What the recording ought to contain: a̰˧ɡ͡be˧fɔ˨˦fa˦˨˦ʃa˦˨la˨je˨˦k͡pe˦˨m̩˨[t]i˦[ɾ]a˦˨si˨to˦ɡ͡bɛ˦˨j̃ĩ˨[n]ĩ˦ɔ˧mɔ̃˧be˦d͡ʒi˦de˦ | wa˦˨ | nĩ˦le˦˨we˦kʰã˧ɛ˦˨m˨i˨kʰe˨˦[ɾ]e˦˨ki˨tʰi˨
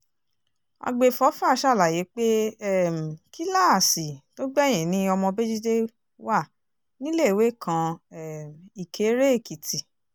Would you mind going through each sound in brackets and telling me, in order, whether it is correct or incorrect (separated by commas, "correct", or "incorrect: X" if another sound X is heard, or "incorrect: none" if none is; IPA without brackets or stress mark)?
incorrect: k, incorrect: l, correct, correct